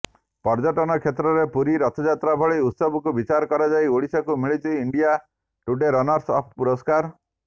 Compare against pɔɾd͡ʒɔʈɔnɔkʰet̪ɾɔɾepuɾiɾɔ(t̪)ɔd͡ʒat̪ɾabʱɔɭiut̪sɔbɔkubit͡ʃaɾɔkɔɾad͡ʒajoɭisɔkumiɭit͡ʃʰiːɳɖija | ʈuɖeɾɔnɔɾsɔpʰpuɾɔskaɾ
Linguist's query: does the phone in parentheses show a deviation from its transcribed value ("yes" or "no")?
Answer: yes